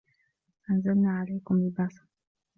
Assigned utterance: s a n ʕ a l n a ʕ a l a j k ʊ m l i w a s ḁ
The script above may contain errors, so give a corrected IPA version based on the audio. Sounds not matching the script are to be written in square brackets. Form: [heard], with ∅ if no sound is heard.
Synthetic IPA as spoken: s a n [z] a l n a ʕ a l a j k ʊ m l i [b] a s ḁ